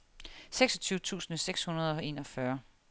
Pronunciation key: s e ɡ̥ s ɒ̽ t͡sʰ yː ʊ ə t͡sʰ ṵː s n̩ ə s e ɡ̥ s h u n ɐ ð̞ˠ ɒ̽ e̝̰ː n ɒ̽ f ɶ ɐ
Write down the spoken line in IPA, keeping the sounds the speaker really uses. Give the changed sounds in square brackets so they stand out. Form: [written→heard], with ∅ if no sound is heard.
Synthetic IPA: s e ɡ̥ s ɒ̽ t͡sʰ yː ʊ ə t͡sʰ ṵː s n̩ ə s e ɡ̥ s h u n ɐ ð̞ˠ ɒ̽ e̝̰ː n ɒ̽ f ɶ ɐ